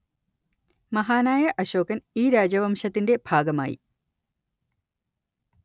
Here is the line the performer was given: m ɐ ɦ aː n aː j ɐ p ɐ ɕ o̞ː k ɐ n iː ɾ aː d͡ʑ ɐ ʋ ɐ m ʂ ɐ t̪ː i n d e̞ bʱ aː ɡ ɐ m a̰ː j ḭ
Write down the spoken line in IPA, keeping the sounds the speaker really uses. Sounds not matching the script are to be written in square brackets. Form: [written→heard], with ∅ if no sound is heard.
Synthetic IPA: m ɐ ɦ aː n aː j ɐ [p→ʔ] ɐ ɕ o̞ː k ɐ n iː ɾ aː d͡ʑ ɐ ʋ ɐ m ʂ ɐ t̪ː i n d e̞ bʱ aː ɡ ɐ m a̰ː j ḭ